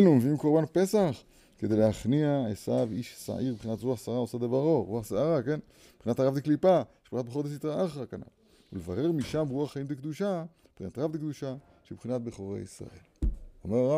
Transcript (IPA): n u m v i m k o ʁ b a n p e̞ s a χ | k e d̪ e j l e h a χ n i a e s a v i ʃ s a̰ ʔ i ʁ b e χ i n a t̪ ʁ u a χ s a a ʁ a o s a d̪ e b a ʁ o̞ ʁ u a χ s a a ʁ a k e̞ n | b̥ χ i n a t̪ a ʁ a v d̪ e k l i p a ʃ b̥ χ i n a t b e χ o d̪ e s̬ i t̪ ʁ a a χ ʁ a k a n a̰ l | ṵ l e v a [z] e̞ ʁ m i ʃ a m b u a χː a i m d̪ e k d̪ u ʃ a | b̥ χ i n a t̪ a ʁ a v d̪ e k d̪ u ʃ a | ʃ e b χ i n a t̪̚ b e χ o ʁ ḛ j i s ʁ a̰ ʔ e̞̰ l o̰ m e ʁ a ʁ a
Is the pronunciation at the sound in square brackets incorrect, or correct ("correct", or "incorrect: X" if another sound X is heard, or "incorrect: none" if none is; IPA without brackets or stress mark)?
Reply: incorrect: ʁ